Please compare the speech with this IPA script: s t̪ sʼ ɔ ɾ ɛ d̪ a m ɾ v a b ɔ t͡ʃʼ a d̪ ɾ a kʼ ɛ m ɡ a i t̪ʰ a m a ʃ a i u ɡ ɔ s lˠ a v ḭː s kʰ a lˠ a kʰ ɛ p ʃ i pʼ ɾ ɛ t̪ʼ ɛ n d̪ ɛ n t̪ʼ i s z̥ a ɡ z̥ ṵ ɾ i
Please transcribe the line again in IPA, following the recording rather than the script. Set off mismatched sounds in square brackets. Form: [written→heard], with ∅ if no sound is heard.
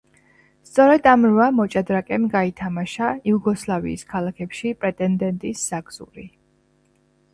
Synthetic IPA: s t̪ sʼ ɔ ɾ ɛ d̪ a m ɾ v a [b→m] ɔ t͡ʃʼ a d̪ ɾ a kʼ ɛ m ɡ a i t̪ʰ a m a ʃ a i u ɡ ɔ s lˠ a v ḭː s kʰ a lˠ a kʰ ɛ p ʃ i pʼ ɾ ɛ t̪ʼ ɛ n d̪ ɛ n t̪ʼ i s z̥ a ɡ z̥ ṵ ɾ i